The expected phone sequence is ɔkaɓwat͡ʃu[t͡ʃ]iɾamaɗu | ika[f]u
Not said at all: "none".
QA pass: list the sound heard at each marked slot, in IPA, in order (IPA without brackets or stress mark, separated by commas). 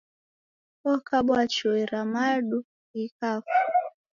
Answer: none, f